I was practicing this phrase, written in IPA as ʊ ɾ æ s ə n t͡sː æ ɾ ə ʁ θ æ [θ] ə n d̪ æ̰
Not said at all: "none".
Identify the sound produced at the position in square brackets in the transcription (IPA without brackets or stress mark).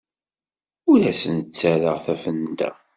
f